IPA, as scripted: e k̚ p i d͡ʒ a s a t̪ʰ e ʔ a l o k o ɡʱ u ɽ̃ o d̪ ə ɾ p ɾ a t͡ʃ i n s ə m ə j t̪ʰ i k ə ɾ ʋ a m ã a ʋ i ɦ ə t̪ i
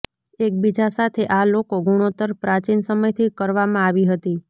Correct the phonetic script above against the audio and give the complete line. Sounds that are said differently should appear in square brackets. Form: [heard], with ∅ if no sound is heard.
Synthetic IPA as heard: e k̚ [b] i d͡ʒ a s a t̪ʰ e ʔ a l o k o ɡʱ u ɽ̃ o [t̪] ə ɾ p ɾ a t͡ʃ i n s ə m ə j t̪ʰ i k ə ɾ ʋ a m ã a ʋ i ɦ ə t̪ i